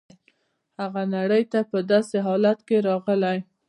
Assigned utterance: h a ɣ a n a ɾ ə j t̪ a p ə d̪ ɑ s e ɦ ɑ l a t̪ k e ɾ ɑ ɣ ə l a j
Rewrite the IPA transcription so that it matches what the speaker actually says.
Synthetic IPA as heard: h a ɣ a n a ɽ ə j t̪ a p ə d̪ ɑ s e ɦ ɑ l a t̪ k e ɾ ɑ ɣ ə l a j